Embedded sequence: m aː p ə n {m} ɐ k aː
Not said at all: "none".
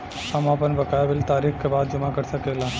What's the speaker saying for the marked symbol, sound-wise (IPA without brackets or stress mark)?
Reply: b